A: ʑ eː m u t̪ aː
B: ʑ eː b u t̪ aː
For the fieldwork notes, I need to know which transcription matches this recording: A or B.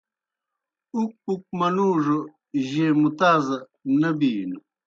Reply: A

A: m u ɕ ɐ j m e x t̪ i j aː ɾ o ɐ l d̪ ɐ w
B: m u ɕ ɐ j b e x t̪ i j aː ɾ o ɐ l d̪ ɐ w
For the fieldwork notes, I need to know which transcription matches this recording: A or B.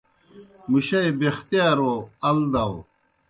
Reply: B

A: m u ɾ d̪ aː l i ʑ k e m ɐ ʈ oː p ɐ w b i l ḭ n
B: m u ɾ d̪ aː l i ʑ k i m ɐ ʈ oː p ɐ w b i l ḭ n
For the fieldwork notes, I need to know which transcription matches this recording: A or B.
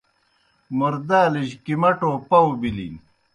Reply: B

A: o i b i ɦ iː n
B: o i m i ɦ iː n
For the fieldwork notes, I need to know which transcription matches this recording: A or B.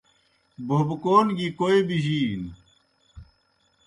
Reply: A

